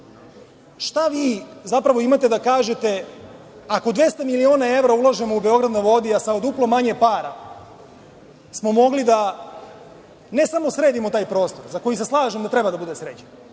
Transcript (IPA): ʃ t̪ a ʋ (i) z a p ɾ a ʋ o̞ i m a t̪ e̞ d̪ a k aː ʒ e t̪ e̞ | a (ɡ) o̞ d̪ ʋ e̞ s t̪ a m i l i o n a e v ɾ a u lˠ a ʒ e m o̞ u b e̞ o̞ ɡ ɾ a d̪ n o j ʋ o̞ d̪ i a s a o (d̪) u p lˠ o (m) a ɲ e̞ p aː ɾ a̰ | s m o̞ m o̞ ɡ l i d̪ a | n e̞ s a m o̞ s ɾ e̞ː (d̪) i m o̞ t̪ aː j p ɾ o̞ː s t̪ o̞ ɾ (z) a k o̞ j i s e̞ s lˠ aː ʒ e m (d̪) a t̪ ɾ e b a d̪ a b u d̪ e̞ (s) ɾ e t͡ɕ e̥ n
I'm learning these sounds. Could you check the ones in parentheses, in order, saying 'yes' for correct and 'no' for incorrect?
no, no, yes, yes, yes, yes, yes, yes

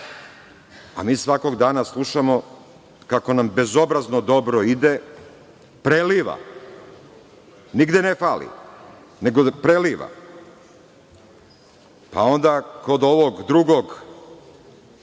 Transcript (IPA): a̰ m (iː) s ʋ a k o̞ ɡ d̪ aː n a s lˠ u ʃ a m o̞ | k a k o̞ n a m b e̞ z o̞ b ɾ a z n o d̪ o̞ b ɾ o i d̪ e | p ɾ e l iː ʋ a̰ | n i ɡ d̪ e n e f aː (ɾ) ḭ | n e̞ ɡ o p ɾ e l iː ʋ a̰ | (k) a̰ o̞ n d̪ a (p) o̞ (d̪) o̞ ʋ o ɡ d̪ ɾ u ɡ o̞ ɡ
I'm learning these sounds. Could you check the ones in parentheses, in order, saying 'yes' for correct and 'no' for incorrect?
yes, no, no, no, yes

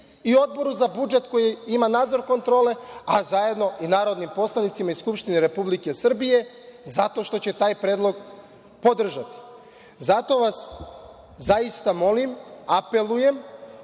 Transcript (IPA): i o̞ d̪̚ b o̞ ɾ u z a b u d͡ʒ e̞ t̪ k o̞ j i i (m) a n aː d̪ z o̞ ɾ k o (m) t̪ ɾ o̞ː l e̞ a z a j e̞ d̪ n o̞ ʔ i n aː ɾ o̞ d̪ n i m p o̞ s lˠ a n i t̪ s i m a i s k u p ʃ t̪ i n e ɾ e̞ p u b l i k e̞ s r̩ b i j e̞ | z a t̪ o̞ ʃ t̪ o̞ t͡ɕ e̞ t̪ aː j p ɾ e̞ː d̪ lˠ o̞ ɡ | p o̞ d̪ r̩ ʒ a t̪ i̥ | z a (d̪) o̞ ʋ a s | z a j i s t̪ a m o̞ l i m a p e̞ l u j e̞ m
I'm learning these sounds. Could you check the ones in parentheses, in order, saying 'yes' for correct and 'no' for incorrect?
yes, no, no

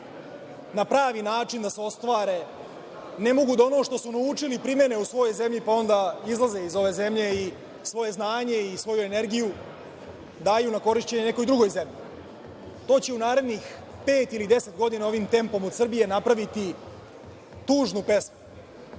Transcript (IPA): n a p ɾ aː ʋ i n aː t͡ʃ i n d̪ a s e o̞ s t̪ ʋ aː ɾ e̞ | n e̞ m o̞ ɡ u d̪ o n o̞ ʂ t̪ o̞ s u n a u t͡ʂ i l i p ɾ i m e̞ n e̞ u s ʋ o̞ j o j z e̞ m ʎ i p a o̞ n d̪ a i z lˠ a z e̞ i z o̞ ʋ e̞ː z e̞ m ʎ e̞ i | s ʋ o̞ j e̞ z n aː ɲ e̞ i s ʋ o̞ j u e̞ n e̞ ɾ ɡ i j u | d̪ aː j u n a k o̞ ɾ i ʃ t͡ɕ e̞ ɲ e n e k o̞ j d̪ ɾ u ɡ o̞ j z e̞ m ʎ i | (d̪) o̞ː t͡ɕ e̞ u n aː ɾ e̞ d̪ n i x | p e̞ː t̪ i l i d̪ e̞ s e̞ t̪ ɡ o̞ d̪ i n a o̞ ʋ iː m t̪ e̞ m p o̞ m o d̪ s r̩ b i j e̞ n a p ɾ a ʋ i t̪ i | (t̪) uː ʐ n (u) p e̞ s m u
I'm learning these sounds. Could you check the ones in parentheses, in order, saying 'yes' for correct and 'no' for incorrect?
no, yes, yes

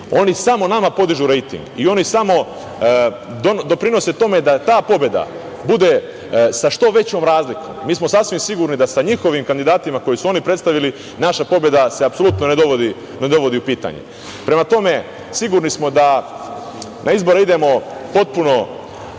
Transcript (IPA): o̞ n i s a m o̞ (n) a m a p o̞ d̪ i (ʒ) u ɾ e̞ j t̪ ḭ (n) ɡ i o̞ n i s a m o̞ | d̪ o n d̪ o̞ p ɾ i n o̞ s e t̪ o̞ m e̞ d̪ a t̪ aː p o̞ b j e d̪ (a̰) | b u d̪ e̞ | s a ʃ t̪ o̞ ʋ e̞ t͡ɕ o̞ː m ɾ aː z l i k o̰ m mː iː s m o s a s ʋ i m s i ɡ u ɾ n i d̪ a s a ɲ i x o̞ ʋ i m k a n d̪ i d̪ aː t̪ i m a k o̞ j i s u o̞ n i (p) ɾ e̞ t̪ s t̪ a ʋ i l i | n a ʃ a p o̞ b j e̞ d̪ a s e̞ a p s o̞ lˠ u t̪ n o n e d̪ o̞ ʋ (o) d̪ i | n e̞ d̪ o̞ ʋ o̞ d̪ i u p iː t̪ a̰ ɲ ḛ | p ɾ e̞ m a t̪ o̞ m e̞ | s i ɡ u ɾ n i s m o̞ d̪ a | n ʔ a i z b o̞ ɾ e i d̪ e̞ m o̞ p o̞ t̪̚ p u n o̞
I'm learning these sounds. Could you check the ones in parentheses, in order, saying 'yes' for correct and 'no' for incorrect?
yes, yes, no, yes, yes, yes

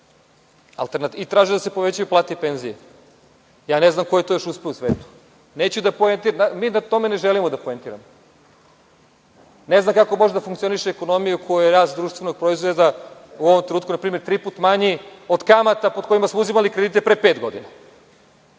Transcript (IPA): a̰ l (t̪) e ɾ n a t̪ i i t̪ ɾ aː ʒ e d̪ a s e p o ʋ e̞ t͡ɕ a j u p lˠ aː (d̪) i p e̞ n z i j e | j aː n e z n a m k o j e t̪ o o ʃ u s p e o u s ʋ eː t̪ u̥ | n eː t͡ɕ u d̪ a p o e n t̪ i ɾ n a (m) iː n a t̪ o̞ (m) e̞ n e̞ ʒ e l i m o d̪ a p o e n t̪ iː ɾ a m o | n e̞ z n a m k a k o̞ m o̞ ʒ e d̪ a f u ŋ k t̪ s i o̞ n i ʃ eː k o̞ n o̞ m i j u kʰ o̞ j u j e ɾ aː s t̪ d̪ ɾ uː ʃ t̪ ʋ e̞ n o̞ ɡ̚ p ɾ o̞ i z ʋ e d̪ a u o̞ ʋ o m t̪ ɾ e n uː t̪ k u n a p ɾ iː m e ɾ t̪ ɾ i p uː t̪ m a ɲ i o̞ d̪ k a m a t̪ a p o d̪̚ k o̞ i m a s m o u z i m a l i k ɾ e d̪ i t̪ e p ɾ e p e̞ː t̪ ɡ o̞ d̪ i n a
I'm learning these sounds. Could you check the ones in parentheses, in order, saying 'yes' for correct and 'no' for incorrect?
yes, no, yes, yes

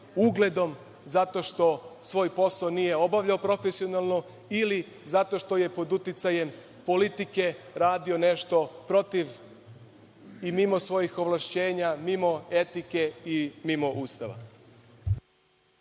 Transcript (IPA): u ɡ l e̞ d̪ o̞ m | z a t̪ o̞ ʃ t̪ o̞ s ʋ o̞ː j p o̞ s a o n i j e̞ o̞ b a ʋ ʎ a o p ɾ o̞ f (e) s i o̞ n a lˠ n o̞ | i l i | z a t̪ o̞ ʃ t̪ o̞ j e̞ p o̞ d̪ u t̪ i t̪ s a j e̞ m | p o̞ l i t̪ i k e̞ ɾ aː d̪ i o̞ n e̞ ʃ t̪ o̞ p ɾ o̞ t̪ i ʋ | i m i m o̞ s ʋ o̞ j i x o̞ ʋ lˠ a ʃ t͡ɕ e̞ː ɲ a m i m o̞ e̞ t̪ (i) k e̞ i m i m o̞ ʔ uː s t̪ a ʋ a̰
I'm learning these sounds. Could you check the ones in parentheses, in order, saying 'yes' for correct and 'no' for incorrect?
yes, yes

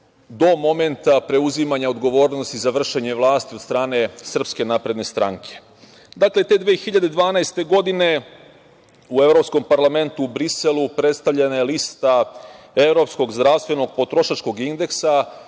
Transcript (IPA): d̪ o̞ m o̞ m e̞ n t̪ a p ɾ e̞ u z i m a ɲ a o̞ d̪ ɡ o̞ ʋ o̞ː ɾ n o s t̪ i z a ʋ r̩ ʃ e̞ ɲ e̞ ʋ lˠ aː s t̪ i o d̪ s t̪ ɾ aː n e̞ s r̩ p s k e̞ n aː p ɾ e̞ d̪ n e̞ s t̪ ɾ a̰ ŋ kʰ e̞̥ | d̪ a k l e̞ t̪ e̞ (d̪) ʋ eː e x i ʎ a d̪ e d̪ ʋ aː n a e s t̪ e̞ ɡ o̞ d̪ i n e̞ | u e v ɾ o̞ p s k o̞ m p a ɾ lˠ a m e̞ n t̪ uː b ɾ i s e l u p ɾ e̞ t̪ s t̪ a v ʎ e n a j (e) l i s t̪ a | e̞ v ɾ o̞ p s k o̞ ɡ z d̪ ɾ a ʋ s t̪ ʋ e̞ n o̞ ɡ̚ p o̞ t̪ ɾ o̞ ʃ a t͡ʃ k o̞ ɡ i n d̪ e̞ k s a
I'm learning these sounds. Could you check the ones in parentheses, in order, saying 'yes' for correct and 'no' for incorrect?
yes, yes

